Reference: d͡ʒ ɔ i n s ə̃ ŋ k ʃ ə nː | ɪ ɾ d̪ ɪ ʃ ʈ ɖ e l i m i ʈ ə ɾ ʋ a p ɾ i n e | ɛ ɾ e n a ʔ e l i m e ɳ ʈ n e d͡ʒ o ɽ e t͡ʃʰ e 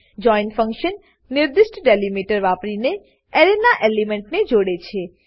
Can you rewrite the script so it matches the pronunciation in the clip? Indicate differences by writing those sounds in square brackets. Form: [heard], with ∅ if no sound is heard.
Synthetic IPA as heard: d͡ʒ ɔ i n [f] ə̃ ŋ k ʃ ə nː | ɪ ɾ d̪ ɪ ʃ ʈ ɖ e l i m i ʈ ə ɾ ʋ a p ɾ i n e | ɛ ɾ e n a ʔ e l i m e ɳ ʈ n e d͡ʒ o ɽ e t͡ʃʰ e